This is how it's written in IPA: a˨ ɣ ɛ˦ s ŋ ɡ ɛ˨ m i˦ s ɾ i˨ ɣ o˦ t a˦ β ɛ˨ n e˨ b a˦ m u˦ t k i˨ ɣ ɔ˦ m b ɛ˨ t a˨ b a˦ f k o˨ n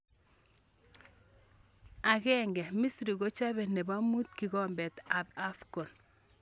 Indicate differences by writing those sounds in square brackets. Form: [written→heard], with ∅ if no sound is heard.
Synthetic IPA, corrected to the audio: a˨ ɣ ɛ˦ [s→∅] ŋ ɡ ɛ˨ m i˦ s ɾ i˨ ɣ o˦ [t→t͡ʃ] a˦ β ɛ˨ n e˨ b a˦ m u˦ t k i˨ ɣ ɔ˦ m b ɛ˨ t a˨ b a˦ f k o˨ n